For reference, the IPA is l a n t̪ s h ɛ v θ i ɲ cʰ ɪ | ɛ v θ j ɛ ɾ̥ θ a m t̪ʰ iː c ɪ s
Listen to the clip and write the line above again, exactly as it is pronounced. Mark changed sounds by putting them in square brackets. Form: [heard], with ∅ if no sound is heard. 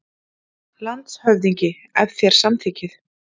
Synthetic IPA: l a n t̪ s h [œ] v [ð] i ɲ [c] ɪ | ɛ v θ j ɛ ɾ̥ [s] a m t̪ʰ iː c ɪ [θ]